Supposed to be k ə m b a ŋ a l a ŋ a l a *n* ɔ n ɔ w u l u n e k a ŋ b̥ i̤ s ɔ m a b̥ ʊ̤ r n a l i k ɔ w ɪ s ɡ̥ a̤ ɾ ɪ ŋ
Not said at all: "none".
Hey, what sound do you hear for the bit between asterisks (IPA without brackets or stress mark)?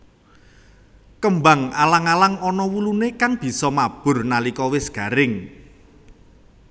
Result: ŋ